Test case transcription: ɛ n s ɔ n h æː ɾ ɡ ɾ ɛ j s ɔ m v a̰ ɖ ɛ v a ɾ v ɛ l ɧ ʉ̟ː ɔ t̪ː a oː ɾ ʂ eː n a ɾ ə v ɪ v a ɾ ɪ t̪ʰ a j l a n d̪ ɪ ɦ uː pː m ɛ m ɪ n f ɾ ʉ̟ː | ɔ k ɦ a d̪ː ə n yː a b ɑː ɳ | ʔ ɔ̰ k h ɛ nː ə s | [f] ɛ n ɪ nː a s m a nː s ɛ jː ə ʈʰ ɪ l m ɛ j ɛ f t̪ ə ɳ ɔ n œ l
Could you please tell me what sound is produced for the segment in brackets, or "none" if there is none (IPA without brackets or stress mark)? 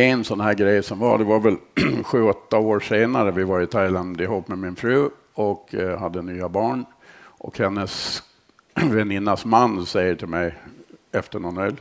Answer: v